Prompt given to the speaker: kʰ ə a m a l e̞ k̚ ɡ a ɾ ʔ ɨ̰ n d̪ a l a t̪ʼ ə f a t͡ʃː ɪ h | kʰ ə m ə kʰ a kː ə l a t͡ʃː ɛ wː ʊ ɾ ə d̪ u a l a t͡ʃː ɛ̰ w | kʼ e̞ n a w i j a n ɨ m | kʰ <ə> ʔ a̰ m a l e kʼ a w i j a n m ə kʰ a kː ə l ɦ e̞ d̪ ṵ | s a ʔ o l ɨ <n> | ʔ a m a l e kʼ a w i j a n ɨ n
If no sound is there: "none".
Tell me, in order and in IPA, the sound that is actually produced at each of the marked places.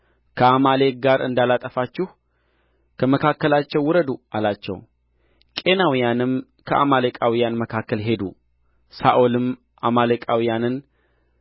ə, m

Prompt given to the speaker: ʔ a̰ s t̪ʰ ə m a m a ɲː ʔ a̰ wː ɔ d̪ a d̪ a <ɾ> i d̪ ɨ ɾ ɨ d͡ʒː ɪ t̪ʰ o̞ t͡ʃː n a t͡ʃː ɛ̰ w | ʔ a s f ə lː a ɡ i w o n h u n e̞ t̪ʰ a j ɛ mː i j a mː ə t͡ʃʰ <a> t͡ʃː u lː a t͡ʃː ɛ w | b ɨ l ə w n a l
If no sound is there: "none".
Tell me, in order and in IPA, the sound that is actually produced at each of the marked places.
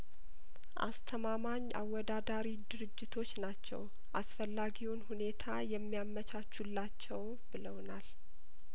ɾ, a

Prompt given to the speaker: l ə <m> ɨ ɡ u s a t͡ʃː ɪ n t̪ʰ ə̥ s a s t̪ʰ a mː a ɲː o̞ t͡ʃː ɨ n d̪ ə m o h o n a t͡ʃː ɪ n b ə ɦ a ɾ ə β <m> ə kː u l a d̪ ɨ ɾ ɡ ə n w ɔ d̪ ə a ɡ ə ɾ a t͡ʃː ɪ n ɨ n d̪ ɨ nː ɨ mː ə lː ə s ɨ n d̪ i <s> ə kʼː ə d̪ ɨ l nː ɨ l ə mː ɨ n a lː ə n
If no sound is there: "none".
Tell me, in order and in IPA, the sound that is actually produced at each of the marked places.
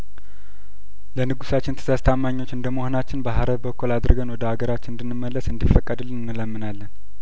n, b, f

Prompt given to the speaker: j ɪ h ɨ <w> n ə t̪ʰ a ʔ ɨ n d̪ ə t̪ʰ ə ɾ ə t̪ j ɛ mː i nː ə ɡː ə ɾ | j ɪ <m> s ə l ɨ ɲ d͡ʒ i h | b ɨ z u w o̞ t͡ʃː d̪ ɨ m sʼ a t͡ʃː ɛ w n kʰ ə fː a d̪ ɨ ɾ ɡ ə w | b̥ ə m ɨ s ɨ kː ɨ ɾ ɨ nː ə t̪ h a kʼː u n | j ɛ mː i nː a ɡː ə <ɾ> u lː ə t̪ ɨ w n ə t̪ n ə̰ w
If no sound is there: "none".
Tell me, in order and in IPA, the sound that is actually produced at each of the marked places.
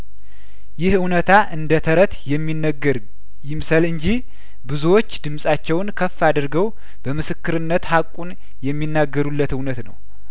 w, m, ɾ

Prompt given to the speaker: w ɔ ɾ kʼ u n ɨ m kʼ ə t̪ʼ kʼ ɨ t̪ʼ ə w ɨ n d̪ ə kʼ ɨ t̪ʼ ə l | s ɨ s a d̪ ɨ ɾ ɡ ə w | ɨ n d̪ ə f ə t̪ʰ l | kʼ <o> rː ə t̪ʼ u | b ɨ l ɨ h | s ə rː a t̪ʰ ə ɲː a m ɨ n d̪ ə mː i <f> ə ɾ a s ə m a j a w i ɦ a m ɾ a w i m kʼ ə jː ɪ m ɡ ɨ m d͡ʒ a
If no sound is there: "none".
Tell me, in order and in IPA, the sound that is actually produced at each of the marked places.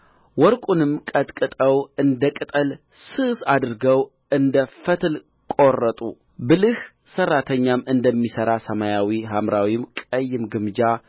o, s

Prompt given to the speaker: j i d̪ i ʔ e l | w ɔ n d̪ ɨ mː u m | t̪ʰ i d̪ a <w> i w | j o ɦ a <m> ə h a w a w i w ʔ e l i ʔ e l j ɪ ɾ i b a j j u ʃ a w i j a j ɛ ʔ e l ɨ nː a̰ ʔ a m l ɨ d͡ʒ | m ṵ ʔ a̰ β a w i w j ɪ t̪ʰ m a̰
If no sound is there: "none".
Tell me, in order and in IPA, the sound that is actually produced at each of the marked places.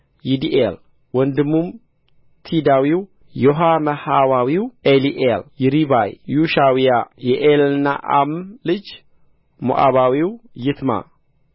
w, m

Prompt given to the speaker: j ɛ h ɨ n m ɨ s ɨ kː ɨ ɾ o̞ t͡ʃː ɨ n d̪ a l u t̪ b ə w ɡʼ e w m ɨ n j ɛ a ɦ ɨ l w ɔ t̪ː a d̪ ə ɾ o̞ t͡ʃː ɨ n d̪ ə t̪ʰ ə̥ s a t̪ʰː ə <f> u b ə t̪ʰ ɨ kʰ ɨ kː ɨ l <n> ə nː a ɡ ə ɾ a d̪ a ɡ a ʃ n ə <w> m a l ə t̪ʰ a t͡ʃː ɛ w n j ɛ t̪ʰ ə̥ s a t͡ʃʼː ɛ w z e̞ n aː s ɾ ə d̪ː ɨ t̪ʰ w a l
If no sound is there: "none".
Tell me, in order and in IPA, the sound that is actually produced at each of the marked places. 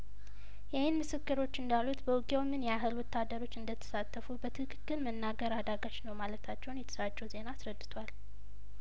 f, m, w

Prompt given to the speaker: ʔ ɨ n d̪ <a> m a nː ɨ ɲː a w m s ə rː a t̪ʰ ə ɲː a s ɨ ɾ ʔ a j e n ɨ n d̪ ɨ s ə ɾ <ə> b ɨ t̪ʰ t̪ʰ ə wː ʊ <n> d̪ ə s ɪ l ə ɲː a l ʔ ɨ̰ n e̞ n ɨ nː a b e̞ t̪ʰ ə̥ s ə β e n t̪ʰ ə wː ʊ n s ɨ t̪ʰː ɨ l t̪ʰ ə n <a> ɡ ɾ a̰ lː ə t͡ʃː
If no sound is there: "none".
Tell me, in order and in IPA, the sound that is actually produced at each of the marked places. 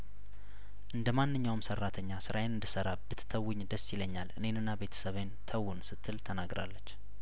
ə, a, ɲ, a

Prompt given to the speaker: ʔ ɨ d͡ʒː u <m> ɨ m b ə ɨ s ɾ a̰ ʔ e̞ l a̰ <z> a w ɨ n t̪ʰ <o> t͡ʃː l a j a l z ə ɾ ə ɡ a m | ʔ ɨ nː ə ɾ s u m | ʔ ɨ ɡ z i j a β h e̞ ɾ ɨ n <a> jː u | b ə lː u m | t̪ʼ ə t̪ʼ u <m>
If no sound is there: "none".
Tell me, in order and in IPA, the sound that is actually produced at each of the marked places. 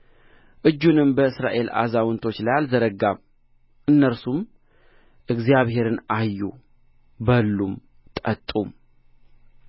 n, z, o, a, m

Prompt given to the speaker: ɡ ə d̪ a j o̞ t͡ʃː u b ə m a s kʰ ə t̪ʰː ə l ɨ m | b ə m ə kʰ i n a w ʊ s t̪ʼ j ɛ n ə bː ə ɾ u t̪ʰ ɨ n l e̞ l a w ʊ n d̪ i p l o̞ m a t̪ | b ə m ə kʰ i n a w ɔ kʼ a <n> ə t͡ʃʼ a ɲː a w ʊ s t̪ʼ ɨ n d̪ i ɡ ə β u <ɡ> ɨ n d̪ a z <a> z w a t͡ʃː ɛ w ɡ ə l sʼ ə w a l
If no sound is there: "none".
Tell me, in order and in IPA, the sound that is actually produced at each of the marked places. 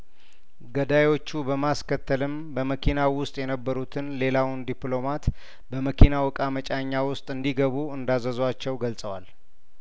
m, none, ə

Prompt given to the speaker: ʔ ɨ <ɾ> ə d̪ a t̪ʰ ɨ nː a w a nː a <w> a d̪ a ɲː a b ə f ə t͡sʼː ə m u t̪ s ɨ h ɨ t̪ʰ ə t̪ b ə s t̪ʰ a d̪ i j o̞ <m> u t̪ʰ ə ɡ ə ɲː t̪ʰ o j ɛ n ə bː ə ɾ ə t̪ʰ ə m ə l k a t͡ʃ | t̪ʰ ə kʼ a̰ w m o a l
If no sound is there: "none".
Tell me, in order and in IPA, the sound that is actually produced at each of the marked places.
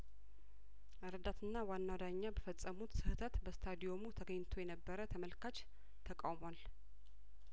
ɾ, w, m

